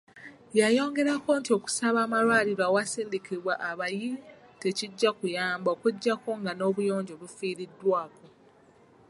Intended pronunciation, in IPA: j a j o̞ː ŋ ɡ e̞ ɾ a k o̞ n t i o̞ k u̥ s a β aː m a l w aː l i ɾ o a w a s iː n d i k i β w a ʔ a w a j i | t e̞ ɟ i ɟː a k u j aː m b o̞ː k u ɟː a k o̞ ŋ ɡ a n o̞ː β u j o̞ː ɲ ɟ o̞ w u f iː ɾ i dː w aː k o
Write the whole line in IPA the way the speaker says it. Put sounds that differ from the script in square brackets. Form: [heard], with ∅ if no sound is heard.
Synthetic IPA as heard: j a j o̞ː ŋ ɡ e̞ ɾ a k o̞ n t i o̞ k u̥ s a β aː m a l w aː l i ɾ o a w a s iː n d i k i β w a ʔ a [β] a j i | t e̞ [c] i ɟː a k u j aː m b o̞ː k u ɟː a k o̞ ŋ ɡ a n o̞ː β u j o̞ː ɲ ɟ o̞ [β] u f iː ɾ i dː w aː k o